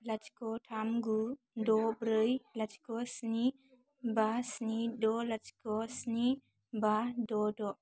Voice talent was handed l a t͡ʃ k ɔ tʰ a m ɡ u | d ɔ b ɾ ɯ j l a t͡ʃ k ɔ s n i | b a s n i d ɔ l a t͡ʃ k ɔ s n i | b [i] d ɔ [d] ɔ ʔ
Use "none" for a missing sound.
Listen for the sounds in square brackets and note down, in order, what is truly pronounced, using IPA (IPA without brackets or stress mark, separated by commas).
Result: a, d